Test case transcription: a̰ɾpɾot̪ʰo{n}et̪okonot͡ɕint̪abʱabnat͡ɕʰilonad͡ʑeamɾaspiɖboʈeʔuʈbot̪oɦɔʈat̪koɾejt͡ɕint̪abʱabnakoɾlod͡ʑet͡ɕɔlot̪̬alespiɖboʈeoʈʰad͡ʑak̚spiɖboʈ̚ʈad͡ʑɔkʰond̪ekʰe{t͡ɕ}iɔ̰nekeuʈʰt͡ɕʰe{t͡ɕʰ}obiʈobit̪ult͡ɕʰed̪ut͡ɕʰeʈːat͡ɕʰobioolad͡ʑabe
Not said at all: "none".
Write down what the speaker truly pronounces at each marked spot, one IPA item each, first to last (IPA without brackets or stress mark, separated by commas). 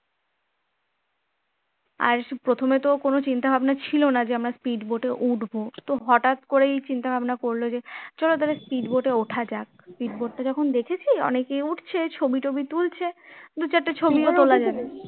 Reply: m, t͡ɕʰ, t͡ɕʰ